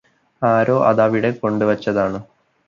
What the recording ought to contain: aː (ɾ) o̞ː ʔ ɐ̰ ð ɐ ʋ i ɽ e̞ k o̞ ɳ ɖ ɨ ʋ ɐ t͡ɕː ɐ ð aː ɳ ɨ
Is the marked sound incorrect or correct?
correct